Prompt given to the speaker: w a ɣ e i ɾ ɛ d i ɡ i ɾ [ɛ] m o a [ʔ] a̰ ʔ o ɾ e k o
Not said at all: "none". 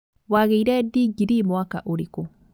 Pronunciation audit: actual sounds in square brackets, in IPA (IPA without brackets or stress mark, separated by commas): i, k